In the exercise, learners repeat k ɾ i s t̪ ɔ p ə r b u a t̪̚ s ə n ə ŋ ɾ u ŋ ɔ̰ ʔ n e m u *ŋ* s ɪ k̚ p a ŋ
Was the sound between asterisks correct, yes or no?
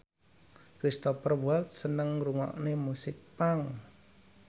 no